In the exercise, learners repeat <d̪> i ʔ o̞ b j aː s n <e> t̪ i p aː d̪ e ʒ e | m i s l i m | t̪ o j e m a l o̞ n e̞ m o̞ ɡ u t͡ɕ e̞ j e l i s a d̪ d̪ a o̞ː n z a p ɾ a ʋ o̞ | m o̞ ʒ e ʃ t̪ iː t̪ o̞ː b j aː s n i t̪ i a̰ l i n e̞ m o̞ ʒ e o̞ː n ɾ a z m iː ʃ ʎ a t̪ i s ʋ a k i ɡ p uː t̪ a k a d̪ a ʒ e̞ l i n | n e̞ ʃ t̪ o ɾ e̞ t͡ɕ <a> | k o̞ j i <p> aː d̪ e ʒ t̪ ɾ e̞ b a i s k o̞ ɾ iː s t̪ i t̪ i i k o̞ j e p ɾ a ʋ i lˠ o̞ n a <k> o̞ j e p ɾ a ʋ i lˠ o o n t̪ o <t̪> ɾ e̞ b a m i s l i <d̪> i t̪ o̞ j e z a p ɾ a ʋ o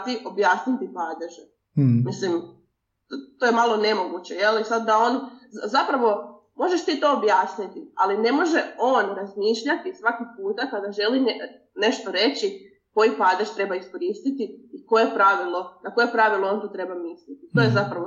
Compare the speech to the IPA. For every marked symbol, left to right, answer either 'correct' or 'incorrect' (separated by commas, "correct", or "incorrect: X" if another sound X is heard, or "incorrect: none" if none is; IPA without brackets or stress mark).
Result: incorrect: t̪, incorrect: i, incorrect: i, correct, correct, correct, incorrect: t̪